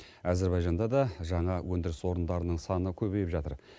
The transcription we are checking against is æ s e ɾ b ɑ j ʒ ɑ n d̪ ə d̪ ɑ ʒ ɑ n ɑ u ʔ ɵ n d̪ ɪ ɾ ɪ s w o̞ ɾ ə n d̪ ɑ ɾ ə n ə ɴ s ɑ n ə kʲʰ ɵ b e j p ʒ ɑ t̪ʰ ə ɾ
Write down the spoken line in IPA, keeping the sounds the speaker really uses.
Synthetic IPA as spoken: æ z e ɾ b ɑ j ʒ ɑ n d̪ ɑ d̪ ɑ ʒ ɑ ɴ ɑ w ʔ ɵ n d̪ ɪ ɾ ɪ s w o̞ ɾ ə n d̪ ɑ ɾ ə n ə ɴ s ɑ n ə kʲʰ ɵ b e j p ʒ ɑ t̪ ə ɾ